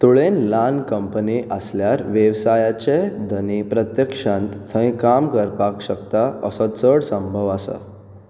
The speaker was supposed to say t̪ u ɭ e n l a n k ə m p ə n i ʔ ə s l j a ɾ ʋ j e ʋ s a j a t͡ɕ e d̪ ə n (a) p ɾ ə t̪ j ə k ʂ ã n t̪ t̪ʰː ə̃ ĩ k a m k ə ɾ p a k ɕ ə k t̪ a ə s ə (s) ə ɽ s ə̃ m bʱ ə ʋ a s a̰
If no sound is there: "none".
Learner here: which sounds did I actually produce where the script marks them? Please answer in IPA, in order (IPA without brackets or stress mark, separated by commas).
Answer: i, t͡s